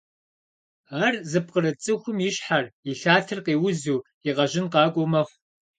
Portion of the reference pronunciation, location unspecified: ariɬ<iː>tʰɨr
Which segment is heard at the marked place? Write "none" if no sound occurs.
aː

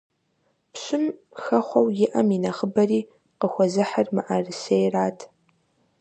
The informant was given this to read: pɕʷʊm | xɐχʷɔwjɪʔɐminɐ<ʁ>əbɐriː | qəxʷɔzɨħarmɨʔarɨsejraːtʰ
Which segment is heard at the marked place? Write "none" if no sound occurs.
χ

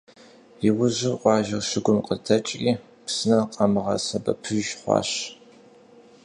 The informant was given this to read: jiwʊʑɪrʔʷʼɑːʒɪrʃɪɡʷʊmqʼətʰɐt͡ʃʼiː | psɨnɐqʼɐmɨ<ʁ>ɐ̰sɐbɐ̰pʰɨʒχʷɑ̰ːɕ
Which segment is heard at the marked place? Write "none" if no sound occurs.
ʁ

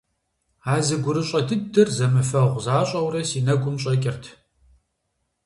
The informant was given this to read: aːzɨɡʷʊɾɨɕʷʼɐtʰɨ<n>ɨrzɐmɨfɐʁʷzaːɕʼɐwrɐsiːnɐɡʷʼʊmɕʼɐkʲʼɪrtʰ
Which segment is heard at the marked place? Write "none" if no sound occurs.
d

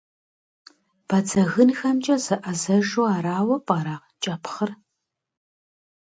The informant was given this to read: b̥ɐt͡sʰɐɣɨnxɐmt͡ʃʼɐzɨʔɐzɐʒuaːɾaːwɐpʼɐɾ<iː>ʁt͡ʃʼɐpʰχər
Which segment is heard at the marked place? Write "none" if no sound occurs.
aː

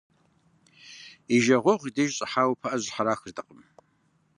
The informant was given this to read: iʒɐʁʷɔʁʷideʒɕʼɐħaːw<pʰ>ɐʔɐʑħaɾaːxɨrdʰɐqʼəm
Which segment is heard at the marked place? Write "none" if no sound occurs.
pʰ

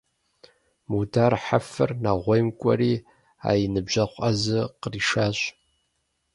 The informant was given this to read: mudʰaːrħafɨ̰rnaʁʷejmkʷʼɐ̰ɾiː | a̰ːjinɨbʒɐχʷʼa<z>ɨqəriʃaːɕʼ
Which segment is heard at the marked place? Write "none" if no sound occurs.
z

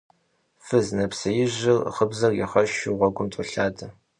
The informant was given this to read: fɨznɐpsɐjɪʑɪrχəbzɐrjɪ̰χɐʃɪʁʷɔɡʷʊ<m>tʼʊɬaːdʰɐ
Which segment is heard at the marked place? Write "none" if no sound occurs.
m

